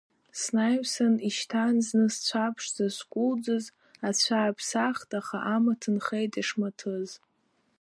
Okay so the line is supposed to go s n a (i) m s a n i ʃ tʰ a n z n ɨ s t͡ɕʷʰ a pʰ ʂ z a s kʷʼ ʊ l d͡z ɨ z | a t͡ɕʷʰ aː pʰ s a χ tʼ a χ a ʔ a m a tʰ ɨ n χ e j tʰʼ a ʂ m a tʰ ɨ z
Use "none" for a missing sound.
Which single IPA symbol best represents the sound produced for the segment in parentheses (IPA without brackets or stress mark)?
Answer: j